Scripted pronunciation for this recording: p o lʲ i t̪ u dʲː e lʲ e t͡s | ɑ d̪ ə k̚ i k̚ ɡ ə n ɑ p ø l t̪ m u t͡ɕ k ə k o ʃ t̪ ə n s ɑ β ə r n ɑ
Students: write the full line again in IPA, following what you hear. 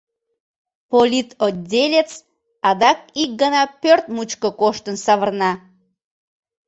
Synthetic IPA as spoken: p o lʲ i t̪ o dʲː e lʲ e t͡s | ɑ d̪ ɑ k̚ i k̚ ɡ ə n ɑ p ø r t̪ m u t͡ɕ k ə k o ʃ t̪ ə n s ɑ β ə r n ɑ